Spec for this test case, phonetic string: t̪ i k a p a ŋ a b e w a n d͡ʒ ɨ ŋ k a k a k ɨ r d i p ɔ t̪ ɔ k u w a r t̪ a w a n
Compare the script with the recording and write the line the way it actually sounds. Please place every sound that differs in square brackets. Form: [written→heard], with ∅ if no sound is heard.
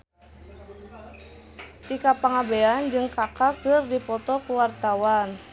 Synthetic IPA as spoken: t̪ i k a p a ŋ a b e [w→∅] a n d͡ʒ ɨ ŋ k a k a k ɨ r d i p ɔ t̪ ɔ k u w a r t̪ a w a n

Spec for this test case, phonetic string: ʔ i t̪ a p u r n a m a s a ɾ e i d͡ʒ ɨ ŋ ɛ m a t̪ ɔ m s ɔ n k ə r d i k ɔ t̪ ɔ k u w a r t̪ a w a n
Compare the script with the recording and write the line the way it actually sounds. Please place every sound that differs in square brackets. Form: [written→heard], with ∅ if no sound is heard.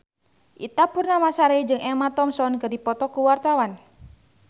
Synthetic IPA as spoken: ʔ i t̪ a p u r n a m a s a ɾ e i d͡ʒ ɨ ŋ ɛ m a t̪ ɔ m s ɔ n k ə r d i [k→p] ɔ t̪ ɔ k u w a r t̪ a w a n

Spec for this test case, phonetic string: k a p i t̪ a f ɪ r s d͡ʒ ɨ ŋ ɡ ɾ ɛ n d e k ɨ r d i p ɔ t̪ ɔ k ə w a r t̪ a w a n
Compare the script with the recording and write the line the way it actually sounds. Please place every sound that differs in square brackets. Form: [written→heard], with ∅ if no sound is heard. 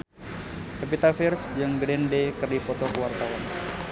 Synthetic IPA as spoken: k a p i t̪ a f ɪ r s d͡ʒ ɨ ŋ ɡ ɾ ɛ n d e k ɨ r d i p ɔ t̪ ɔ k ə w a r t̪ a w a n

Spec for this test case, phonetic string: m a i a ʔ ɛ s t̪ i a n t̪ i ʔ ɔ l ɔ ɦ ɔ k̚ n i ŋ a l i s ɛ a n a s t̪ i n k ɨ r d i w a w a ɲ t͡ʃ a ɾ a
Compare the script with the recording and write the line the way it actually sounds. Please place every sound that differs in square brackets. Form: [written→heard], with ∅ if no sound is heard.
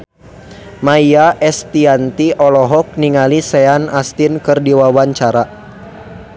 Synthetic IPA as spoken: m a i a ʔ ɛ s t̪ i a n t̪ i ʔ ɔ l ɔ ɦ ɔ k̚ n i ŋ a l i s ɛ a n a s t̪ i n k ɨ r d i w a w a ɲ t͡ʃ a ɾ a

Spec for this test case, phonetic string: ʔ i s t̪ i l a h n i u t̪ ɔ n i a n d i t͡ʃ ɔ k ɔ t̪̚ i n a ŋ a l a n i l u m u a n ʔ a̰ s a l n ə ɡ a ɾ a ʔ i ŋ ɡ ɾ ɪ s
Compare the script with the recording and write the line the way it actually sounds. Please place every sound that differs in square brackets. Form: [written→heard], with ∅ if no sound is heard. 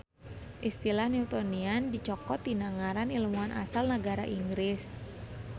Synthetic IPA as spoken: ʔ i s t̪ i l a h n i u t̪ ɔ n i a n d i t͡ʃ ɔ k ɔ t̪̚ i n a ŋ a [l→ɾ] a n i l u m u a n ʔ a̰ s a l n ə ɡ a ɾ a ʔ i ŋ ɡ ɾ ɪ s

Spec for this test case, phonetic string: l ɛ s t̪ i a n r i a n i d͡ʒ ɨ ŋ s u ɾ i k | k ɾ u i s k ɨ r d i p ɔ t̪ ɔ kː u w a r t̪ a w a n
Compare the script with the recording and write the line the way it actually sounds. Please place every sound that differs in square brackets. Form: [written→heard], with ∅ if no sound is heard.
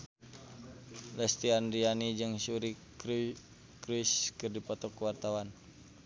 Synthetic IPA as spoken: l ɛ s t̪ i a n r i a n i d͡ʒ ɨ ŋ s u ɾ i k | k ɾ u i s k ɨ r d i p ɔ t̪ ɔ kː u w a r t̪ a w a n

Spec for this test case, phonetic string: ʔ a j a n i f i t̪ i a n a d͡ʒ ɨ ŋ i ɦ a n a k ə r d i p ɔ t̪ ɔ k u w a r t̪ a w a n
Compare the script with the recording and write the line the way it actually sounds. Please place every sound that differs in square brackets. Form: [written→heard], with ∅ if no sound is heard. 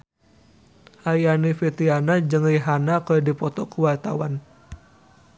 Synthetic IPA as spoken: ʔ a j a n i f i t̪ i a n a d͡ʒ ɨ ŋ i ɦ a n a k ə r d i p ɔ t̪ ɔ k u w a r t̪ a w a n

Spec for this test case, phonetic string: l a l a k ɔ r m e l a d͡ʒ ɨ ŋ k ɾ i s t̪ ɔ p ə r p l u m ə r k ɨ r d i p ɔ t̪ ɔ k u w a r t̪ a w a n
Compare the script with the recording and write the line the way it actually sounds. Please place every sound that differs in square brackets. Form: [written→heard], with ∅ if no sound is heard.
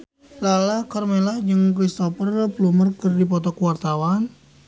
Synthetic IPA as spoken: l a l a k ɔ r m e l a d͡ʒ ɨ ŋ k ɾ i s t̪ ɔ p ə r p l u m ə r k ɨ r d i p ɔ t̪ ɔ k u w a r t̪ a w a n

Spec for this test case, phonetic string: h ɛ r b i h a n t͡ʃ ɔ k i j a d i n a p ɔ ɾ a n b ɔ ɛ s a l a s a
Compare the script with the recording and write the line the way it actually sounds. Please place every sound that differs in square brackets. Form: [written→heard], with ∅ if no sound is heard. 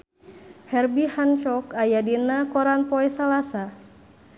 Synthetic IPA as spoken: h ɛ r b i h a n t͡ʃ ɔ k [i→a] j a d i n a [p→k] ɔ ɾ a n [b→p] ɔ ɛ s a l a s a

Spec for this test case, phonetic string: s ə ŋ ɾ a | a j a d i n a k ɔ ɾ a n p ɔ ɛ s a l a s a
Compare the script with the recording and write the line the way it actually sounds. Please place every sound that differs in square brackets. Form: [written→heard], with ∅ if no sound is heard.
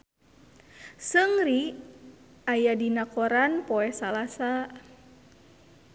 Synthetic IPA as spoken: s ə ŋ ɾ [a→i] | a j a d i n a k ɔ ɾ a n p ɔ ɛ s a l a s a

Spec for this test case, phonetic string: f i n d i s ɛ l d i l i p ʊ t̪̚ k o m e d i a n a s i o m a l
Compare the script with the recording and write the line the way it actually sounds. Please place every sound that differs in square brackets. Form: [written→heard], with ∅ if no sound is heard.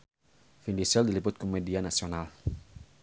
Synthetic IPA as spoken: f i n d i s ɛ l d i l i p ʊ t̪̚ k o m e d i a n a s i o [m→n] a l

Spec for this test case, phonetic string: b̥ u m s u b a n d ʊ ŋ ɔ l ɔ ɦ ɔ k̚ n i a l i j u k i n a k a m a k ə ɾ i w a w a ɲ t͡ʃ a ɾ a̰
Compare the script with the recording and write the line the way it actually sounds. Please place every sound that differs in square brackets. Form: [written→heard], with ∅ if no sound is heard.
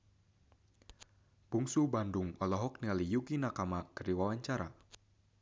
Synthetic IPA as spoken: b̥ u [m→ŋ] s u b a n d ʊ ŋ ɔ l ɔ ɦ ɔ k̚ n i a l i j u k i n a k a m a k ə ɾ i w a w a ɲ t͡ʃ a ɾ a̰

